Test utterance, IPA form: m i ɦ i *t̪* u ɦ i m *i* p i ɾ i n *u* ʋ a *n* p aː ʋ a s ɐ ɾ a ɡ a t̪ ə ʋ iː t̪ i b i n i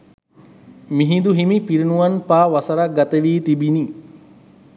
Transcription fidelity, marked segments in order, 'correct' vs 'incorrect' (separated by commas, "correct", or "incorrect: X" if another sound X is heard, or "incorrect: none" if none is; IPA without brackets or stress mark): incorrect: d̪, correct, correct, correct